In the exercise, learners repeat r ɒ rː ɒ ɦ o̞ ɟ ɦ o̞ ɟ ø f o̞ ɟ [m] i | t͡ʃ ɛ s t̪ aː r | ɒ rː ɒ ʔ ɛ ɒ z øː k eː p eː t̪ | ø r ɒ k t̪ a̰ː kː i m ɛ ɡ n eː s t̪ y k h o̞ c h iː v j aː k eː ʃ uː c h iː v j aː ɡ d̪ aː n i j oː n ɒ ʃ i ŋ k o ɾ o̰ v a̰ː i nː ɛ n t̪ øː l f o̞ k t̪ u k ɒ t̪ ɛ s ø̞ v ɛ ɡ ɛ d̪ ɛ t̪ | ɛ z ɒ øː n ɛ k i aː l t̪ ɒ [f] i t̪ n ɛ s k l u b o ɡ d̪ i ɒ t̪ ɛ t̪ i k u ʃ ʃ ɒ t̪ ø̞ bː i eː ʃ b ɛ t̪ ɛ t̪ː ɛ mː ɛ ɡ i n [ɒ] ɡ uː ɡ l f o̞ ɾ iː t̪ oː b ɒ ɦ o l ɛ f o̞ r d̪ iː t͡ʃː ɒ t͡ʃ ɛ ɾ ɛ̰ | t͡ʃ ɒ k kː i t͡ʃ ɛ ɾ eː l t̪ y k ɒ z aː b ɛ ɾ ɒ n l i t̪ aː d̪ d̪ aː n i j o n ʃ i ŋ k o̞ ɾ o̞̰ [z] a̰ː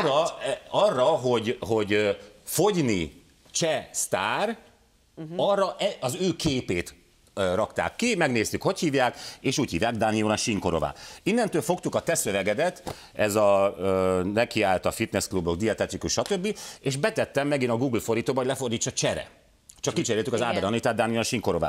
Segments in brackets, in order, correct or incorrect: incorrect, correct, correct, incorrect

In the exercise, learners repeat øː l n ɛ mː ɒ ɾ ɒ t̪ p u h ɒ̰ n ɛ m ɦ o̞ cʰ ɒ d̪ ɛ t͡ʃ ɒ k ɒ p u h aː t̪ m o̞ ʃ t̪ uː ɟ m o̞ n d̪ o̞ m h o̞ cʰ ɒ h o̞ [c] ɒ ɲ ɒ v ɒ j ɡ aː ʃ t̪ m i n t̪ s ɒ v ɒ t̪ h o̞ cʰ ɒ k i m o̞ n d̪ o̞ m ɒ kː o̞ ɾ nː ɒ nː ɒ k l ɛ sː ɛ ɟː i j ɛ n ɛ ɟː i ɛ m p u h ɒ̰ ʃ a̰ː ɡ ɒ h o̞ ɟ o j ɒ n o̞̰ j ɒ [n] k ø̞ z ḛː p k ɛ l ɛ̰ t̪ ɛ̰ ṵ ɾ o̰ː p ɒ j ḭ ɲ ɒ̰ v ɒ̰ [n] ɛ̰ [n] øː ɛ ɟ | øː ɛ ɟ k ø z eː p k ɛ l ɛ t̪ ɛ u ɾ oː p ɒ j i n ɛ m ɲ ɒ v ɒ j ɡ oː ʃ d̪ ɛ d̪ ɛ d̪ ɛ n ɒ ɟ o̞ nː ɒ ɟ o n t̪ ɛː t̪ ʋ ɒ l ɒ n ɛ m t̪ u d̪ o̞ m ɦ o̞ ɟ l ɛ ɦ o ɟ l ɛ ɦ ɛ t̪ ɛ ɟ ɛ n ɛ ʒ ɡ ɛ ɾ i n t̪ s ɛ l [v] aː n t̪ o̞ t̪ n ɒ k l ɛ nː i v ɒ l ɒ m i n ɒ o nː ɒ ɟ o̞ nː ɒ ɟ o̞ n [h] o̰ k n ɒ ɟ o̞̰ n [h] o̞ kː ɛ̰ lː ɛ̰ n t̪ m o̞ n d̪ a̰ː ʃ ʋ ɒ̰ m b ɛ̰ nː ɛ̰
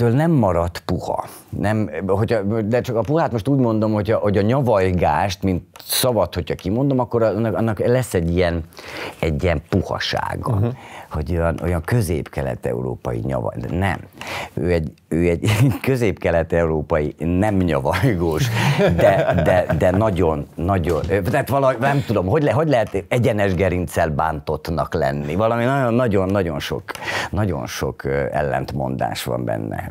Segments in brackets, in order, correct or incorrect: incorrect, incorrect, correct, incorrect, incorrect, incorrect, incorrect

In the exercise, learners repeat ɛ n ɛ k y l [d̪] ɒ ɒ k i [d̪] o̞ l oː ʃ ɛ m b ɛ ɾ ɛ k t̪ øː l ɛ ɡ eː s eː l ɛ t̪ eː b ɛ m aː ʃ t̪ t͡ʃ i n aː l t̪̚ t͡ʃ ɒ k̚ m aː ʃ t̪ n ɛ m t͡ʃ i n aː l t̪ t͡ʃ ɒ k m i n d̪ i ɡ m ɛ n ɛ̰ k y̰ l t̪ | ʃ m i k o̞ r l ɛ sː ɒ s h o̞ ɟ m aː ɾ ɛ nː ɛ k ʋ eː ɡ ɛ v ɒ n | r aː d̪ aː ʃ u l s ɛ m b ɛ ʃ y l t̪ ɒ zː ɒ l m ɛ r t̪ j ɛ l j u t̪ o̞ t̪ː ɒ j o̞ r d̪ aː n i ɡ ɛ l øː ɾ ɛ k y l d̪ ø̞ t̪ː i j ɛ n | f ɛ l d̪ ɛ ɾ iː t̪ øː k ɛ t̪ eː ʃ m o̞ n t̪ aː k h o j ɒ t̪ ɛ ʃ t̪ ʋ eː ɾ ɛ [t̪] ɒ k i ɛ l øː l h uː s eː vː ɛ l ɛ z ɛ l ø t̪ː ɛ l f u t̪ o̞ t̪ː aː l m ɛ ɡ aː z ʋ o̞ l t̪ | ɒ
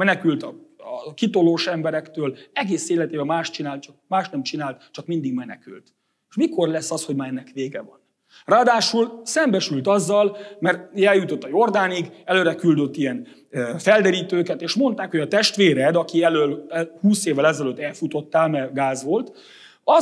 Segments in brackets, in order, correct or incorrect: incorrect, incorrect, incorrect

